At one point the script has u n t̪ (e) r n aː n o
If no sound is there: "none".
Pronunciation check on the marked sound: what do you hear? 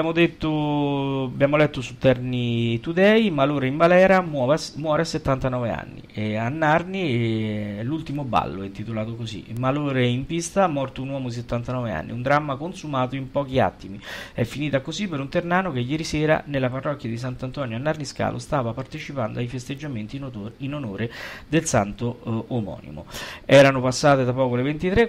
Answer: e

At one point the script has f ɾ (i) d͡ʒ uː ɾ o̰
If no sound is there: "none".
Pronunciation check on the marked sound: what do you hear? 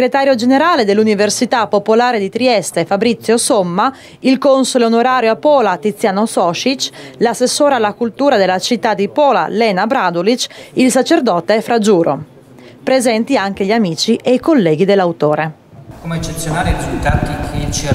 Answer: a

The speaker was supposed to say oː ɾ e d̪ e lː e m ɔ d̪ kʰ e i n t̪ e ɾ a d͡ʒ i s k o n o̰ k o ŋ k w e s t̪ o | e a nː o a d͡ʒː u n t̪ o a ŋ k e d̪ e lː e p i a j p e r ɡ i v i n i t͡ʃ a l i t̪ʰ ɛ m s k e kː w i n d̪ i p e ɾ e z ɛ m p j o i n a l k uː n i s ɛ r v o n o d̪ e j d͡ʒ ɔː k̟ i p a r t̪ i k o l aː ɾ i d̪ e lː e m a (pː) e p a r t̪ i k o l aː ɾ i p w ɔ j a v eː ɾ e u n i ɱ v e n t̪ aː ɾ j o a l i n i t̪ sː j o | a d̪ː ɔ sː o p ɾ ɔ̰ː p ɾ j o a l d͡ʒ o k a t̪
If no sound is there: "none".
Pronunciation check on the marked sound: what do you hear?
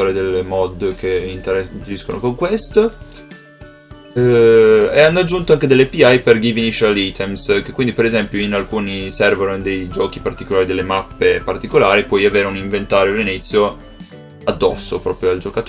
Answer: pː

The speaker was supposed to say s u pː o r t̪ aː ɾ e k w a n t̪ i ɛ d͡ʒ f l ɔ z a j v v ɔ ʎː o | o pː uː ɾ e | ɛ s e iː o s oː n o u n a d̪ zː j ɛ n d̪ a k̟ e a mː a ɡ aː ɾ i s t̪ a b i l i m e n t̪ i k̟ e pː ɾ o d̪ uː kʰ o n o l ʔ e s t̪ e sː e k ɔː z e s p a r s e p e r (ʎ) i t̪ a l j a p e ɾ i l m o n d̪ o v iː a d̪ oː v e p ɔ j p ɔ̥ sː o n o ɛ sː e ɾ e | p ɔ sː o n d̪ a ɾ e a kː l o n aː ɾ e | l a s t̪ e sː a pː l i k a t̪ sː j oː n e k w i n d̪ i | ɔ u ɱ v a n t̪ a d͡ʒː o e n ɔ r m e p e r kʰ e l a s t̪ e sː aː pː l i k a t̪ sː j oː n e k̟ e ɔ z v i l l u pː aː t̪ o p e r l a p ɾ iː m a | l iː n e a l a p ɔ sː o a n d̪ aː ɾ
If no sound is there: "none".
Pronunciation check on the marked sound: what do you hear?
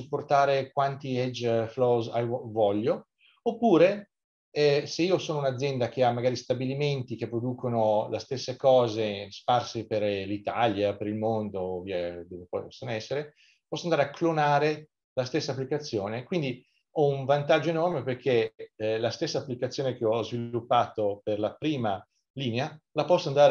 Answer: l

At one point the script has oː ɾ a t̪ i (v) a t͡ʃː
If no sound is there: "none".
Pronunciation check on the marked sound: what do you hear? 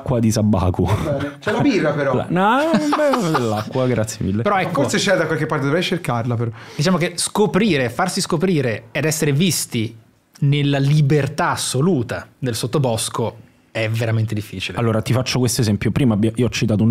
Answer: f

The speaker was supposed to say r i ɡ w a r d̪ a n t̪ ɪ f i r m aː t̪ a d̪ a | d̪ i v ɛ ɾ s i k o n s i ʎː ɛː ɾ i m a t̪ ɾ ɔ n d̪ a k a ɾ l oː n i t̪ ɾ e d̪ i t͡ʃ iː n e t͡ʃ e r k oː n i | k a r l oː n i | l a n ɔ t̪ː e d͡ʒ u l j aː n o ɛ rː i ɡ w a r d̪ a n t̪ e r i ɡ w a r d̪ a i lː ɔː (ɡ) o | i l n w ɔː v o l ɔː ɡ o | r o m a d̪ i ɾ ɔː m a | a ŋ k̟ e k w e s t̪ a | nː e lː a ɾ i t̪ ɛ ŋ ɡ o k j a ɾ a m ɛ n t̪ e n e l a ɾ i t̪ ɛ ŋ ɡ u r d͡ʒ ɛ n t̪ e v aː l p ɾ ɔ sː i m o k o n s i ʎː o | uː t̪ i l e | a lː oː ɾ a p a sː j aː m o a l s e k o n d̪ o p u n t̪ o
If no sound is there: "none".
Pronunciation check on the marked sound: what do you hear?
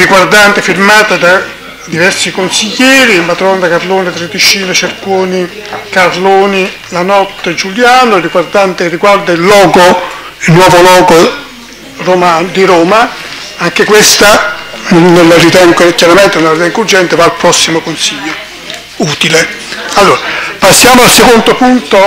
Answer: ɡ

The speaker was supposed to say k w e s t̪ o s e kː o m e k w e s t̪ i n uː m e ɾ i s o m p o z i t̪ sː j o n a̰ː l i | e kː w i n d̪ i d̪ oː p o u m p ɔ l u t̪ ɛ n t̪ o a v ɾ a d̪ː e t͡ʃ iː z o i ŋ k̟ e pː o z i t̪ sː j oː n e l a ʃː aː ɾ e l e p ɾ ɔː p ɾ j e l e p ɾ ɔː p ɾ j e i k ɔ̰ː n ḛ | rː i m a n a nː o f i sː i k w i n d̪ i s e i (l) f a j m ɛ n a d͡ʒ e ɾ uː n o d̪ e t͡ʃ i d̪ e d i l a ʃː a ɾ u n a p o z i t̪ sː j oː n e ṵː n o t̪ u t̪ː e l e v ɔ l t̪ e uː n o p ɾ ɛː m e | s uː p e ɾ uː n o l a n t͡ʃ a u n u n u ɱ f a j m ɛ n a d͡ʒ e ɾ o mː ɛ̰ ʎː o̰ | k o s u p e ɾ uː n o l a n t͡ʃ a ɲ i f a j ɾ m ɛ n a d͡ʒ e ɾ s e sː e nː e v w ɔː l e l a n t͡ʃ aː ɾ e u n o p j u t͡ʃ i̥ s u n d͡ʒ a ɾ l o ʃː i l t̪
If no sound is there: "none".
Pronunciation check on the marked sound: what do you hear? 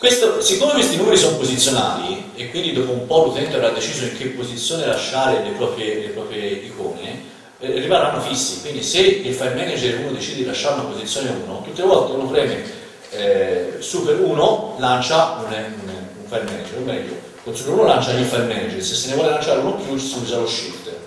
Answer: l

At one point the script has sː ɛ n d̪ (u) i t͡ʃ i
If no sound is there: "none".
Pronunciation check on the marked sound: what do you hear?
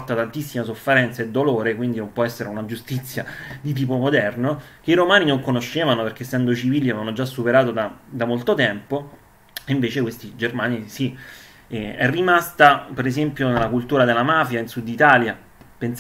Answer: o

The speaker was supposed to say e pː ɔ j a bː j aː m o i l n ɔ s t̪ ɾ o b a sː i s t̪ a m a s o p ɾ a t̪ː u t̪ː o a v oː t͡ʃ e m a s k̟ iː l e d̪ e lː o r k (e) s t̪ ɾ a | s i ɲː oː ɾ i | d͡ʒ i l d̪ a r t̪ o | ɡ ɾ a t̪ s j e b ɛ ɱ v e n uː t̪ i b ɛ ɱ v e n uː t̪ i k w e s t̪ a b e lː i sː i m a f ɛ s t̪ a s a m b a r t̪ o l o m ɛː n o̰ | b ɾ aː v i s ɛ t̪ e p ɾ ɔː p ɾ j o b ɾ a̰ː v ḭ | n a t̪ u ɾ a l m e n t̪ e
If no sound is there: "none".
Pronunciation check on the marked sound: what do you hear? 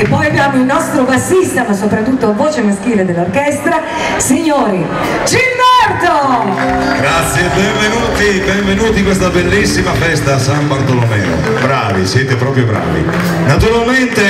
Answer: ɛ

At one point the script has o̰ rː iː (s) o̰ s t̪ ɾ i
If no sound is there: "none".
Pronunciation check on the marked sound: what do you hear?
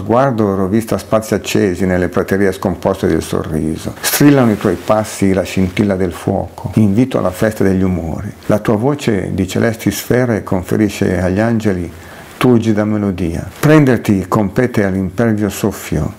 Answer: z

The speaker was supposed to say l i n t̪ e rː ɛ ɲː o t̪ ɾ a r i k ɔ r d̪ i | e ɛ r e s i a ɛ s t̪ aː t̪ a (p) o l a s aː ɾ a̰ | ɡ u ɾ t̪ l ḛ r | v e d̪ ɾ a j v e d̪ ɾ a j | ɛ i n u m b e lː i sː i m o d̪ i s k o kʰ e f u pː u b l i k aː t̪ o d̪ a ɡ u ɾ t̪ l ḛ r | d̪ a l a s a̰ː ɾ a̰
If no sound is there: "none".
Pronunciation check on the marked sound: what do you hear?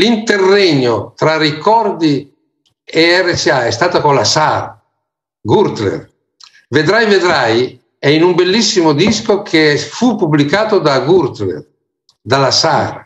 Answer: k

